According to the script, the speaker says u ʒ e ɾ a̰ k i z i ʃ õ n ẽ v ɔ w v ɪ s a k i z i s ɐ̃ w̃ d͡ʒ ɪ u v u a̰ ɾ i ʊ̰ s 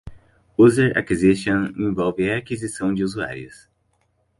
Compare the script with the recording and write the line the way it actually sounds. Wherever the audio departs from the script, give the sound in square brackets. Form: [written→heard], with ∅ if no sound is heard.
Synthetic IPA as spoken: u [ʒ→z] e ɾ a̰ k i z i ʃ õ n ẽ v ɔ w v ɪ [s→∅] a k i z i s ɐ̃ w̃ d͡ʒ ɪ u [v→z] u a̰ ɾ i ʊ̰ s